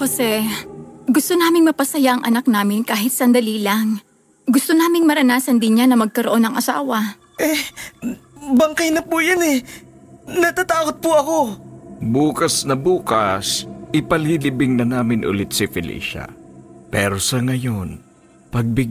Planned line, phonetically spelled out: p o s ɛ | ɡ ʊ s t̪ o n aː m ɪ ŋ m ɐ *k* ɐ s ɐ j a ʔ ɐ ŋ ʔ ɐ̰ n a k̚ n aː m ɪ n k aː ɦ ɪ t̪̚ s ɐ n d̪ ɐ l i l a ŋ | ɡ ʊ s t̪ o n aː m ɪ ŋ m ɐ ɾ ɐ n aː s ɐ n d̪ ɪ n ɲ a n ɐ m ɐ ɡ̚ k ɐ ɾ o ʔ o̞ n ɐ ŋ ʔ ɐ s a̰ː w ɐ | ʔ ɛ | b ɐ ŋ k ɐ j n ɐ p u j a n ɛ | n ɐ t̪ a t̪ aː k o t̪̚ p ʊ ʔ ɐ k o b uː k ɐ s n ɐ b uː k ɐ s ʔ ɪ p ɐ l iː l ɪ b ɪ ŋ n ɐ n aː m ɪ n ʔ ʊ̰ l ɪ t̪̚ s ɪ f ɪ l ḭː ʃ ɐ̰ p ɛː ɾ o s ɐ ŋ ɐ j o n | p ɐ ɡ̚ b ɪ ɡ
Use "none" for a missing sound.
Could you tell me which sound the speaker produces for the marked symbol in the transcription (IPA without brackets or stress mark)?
p